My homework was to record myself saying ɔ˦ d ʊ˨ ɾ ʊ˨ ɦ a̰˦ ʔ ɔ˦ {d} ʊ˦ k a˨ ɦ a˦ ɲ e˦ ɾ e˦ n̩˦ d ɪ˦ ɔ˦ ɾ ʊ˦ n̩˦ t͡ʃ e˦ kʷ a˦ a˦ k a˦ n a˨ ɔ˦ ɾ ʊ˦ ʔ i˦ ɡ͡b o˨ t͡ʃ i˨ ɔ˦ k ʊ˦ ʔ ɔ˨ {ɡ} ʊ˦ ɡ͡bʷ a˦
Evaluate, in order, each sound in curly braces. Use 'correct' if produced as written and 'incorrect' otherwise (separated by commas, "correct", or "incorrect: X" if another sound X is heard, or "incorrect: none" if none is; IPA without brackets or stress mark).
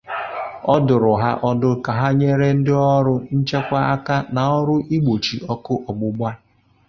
correct, incorrect: ɡ͡b